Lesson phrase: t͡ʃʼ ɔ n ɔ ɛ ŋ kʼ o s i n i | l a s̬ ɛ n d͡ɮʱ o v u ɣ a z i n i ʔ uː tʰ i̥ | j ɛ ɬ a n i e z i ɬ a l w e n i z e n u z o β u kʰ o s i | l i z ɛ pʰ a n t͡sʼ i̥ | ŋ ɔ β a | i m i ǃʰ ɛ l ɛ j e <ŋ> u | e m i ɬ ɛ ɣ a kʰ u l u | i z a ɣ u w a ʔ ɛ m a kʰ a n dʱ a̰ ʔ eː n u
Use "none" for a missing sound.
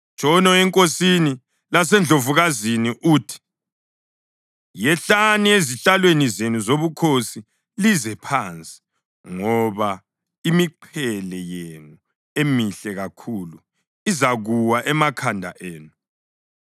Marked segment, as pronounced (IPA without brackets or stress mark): n